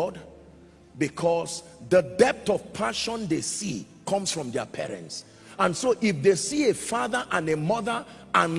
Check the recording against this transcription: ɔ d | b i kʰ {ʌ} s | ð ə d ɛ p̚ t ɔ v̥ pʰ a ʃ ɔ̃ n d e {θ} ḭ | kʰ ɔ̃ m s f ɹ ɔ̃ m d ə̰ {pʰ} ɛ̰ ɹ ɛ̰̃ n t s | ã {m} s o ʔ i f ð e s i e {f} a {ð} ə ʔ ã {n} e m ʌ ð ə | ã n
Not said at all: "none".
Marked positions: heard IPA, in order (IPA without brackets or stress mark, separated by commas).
ɔ, s, pʰ, n, f, ð, n